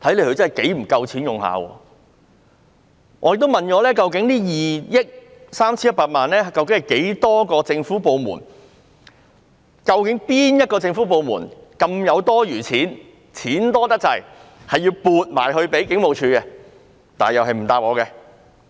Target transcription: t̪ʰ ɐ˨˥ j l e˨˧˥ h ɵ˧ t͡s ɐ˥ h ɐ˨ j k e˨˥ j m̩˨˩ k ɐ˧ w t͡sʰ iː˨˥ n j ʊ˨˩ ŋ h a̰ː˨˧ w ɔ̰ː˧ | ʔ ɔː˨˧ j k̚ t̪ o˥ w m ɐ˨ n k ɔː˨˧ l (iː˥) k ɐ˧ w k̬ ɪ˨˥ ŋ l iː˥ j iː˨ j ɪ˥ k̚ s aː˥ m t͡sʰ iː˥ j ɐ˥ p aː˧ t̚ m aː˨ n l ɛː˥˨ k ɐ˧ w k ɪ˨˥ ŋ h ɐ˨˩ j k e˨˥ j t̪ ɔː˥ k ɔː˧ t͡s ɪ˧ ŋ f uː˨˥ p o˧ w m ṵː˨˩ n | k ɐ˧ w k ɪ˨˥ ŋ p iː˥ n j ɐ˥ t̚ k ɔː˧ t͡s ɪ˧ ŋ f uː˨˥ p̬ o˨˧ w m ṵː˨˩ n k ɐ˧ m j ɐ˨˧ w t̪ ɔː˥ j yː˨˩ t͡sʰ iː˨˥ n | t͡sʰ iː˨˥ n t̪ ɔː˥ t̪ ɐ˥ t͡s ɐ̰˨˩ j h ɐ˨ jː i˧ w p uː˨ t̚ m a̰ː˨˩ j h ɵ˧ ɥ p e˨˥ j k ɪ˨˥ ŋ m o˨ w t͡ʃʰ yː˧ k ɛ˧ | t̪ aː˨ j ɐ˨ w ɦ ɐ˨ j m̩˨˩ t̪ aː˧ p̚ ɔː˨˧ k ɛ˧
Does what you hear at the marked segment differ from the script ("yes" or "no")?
yes